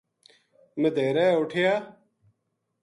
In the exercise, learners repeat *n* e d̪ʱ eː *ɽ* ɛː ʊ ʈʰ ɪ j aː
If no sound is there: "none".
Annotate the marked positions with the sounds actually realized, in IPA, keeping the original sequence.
m, ɾ

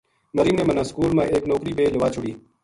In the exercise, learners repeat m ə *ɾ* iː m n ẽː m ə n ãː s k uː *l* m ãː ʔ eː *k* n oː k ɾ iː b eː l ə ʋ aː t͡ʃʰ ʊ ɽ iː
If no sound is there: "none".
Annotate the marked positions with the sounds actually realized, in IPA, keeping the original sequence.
ɾ, l, k

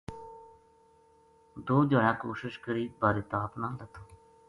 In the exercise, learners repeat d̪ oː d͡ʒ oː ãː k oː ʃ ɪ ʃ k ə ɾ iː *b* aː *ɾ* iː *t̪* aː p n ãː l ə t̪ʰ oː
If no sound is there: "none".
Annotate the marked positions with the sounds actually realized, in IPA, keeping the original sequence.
b, ɾ, t̪

